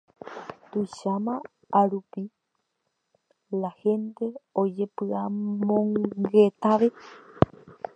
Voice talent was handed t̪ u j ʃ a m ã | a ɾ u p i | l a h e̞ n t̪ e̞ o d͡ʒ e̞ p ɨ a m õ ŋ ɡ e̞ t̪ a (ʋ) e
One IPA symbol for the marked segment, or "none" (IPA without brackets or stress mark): ʋ